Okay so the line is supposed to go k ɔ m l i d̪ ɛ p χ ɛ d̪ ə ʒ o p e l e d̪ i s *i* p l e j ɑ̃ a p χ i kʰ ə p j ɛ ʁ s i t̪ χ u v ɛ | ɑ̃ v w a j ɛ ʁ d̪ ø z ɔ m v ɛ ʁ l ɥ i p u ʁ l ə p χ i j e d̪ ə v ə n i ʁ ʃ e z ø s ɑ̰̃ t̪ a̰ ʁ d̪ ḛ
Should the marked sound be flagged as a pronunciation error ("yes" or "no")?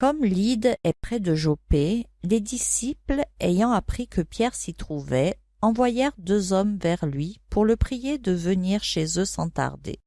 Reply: no